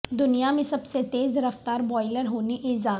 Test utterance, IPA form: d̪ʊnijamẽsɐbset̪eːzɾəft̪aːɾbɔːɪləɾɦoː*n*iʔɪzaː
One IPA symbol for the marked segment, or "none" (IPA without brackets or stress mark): n